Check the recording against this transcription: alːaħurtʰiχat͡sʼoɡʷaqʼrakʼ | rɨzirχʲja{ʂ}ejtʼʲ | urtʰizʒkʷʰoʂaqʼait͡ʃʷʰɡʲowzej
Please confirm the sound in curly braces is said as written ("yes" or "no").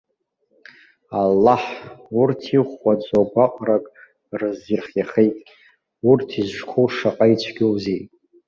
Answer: no